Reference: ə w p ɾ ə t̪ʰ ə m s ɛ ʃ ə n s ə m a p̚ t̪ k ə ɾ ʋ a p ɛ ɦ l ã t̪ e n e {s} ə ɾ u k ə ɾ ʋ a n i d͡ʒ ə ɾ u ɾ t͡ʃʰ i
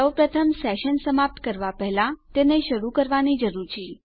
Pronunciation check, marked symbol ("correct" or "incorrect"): incorrect